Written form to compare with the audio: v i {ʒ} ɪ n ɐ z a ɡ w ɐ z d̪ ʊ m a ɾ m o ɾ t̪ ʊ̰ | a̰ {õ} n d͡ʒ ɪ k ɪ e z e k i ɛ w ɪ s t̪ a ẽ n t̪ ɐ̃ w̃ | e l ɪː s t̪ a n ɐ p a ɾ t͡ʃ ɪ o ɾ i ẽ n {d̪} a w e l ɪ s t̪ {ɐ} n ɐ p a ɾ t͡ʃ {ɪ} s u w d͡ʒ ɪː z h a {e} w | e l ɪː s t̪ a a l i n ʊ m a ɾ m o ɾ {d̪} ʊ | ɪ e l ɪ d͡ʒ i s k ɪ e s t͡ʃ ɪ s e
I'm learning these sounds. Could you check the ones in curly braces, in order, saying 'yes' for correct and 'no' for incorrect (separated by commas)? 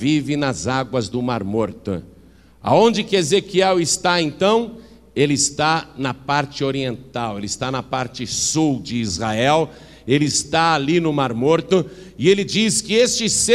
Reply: no, yes, no, no, yes, no, no